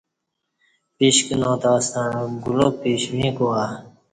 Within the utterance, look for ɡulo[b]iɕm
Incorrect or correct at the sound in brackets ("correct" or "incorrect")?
incorrect